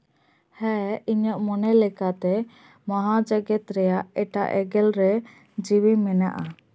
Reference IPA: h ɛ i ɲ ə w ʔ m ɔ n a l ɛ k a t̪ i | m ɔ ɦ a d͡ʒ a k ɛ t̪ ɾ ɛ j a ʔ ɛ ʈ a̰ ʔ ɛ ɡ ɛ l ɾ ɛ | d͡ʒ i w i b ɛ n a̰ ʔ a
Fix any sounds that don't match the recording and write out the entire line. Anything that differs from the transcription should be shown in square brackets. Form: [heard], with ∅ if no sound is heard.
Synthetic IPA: h ɛ i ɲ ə [∅] ʔ m ɔ n [ɛ] l ɛ k a t̪ [ɛ] | m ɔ ɦ a d͡ʒ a [ɡ] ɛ t̪ ɾ ɛ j a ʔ ɛ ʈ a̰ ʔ ɛ ɡ ɛ l ɾ ɛ | d͡ʒ i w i [m] ɛ n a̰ ʔ a